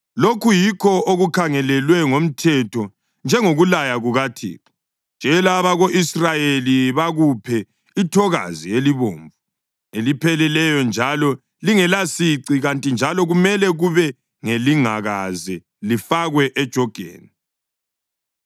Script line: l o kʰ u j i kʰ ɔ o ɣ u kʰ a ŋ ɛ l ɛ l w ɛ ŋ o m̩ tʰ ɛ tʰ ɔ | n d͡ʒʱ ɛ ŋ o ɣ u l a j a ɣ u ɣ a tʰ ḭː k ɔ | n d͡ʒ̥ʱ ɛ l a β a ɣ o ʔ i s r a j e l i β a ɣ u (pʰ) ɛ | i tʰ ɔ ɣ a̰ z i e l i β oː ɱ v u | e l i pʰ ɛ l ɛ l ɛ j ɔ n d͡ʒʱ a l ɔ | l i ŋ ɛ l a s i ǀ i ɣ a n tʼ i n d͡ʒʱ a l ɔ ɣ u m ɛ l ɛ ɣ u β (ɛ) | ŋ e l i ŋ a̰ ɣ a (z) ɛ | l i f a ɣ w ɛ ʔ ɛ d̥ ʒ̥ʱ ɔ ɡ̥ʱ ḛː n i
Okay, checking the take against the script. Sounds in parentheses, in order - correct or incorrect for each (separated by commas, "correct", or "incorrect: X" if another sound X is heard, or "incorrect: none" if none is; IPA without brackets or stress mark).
correct, correct, correct